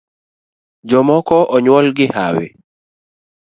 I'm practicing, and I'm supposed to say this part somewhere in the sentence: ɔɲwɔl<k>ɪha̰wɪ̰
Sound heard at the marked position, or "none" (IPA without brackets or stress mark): ɡ